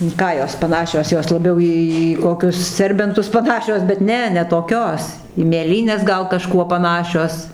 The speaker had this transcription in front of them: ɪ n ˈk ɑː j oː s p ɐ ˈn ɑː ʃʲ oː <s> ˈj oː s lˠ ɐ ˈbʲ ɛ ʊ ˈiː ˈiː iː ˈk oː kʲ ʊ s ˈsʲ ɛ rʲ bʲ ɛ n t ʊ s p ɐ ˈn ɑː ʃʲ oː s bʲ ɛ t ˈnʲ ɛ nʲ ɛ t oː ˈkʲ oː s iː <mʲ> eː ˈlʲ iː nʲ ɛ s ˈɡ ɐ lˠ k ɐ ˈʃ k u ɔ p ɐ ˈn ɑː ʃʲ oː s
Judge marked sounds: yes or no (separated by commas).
yes, yes